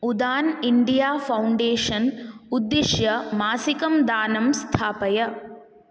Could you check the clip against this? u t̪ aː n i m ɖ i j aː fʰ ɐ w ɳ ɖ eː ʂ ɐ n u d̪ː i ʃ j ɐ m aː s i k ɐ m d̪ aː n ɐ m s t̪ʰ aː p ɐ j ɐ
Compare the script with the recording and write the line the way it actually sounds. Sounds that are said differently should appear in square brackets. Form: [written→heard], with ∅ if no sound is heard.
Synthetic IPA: u [t̪→d̪] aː n i [m→ɳ] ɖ i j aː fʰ ɐ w ɳ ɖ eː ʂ ɐ n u d̪ː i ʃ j ɐ m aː s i k ɐ m d̪ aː n ɐ m s t̪ʰ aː p ɐ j ɐ